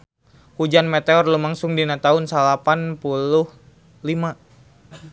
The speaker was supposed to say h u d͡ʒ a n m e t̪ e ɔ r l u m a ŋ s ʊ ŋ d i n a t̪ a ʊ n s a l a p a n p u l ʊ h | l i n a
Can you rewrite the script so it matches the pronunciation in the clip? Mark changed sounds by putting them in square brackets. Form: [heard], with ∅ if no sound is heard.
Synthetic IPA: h u d͡ʒ a n m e t̪ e ɔ r l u m a ŋ s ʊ ŋ d i n a t̪ a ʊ n s a l a p a n p u l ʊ h | l i [m] a